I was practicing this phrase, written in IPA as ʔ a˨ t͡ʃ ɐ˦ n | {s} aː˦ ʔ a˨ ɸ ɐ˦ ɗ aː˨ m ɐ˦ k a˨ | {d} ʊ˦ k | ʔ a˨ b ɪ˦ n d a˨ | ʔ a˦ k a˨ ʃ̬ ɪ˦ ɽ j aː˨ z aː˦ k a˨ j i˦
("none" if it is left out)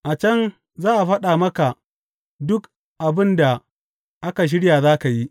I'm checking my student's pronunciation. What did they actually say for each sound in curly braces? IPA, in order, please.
z, d

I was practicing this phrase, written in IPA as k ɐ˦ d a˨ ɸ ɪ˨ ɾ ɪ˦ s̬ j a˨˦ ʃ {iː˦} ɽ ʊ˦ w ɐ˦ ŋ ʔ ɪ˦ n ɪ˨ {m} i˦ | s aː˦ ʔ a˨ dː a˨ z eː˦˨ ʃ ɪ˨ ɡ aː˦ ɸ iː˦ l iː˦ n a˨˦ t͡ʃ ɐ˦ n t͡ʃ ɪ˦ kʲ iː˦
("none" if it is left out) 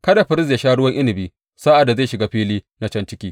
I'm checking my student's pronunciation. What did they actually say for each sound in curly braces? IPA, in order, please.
aː˦, b

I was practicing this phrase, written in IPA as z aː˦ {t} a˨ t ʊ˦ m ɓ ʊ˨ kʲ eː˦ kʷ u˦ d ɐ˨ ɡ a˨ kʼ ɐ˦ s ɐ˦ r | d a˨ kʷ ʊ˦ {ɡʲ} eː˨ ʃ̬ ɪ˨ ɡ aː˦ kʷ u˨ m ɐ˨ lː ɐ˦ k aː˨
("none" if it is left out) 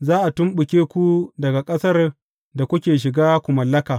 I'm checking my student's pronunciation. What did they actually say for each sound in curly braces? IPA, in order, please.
ʔ, kʲ

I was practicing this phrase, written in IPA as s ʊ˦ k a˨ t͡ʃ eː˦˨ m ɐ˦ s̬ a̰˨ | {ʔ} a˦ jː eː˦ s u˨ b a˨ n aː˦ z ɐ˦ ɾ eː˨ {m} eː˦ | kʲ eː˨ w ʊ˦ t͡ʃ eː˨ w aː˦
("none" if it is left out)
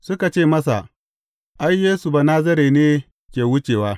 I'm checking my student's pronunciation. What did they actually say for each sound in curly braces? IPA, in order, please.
ʔ, n

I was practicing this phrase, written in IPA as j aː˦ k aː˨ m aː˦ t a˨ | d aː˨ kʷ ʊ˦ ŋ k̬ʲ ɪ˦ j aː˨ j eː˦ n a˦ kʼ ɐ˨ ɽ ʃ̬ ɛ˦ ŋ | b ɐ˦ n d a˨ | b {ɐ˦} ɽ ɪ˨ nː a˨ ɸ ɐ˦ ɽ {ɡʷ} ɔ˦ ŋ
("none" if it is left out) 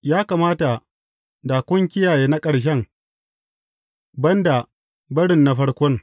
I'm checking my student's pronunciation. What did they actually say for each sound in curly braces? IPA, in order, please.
ɐ˦, kʷ

